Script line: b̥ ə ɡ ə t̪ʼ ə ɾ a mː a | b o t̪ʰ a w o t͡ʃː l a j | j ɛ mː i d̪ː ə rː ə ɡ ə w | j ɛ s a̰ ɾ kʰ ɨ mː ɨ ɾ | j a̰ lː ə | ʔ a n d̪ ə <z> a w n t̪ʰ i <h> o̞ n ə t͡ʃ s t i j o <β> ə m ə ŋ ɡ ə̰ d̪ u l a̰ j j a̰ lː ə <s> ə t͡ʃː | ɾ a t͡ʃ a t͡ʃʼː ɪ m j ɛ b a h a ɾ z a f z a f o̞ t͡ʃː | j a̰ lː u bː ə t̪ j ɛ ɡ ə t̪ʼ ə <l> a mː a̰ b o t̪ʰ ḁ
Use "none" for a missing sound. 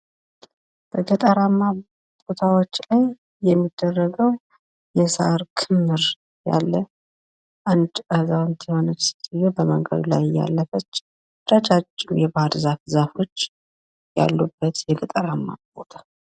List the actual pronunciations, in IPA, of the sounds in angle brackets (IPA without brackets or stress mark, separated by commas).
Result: z, h, b, f, ɾ